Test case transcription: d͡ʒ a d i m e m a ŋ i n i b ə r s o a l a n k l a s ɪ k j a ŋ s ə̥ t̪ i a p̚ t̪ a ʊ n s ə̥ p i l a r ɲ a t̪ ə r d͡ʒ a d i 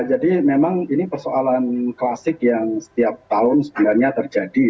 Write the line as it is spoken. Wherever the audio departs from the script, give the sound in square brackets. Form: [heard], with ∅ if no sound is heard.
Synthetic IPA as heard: d͡ʒ a d i m e m a ŋ i n i [p] ə r s o a l a n k l a s ɪ k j a ŋ s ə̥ t̪ i a p̚ t̪ a ʊ n s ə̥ [b] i l a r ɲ a t̪ ə r d͡ʒ a d i